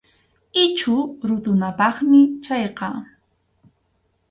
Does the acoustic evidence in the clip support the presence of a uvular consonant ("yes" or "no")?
yes